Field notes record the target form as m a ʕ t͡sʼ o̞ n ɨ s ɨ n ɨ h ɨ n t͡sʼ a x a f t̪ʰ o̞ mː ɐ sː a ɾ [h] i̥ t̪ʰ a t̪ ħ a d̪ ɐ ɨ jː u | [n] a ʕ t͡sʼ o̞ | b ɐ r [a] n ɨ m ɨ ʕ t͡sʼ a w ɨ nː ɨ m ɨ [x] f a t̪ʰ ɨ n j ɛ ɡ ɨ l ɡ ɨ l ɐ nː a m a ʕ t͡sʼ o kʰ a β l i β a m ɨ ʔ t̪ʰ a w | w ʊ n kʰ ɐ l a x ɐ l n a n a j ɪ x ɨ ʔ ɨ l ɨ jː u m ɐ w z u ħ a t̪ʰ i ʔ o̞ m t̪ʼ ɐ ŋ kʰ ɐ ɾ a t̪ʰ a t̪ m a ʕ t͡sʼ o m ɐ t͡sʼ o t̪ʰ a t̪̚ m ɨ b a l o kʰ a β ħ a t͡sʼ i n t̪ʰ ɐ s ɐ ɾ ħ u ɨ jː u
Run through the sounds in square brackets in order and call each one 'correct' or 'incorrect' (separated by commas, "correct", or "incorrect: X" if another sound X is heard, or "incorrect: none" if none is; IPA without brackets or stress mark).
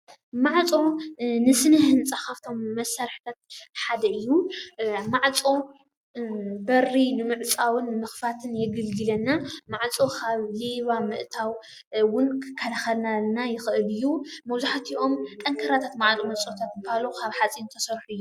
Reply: incorrect: ħ, incorrect: m, incorrect: i, correct